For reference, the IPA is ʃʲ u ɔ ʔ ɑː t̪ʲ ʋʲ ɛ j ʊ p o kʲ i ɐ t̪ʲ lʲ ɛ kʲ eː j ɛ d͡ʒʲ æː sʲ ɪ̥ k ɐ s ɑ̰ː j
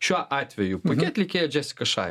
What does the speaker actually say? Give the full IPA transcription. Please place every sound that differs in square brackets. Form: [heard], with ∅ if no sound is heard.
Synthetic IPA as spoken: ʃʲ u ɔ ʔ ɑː t̪ʲ ʋʲ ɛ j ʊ p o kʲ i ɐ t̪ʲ lʲ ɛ kʲ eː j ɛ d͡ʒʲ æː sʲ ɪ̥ k ɐ [ʃ] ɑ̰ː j